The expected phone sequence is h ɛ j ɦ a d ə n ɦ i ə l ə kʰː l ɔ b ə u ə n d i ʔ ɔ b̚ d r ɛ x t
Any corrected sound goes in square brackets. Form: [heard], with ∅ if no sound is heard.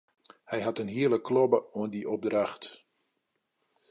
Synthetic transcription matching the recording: h ɛ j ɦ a [t] ə n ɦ i ə l ə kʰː l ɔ b ə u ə n d i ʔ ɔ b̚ d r [a] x t